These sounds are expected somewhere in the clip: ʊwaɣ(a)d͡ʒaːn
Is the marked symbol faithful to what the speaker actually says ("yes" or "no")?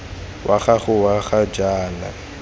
yes